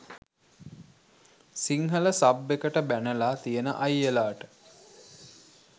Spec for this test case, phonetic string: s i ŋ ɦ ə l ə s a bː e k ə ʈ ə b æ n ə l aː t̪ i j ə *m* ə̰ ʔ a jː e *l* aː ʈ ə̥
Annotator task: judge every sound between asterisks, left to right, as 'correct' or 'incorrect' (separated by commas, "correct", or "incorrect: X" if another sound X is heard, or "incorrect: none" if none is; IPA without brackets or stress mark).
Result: incorrect: n, correct